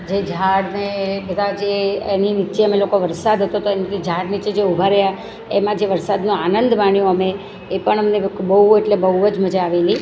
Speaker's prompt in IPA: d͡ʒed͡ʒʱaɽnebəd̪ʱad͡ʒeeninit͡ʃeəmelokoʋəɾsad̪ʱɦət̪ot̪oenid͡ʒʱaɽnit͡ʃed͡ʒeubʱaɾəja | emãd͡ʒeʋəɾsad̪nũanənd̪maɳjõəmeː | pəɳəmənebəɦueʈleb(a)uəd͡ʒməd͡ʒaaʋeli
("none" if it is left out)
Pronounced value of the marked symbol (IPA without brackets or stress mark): ə